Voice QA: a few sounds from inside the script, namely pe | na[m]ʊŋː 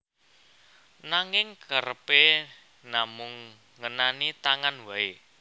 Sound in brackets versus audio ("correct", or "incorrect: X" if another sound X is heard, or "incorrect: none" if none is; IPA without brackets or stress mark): correct